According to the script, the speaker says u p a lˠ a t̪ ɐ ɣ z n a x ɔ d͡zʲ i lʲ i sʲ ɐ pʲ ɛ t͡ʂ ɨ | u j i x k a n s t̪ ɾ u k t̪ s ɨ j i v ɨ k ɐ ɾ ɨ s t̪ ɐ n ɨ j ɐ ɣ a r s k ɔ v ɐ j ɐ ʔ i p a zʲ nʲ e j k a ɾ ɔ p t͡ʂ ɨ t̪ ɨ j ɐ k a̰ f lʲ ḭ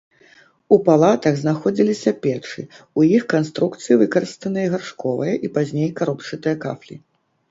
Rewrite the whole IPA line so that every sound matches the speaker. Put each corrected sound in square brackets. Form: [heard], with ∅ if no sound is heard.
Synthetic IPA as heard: u p a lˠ a t̪ ɐ ɣ z n a x ɔ d͡zʲ i lʲ i sʲ ɐ pʲ ɛ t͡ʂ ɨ | u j i x k a n s t̪ ɾ u k t̪ s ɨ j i v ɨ k ɐ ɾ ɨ s t̪ ɐ n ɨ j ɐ ɣ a r [ʂ] k ɔ v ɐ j ɐ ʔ i p a zʲ nʲ e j k a ɾ ɔ p t͡ʂ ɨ t̪ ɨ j ɐ k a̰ f lʲ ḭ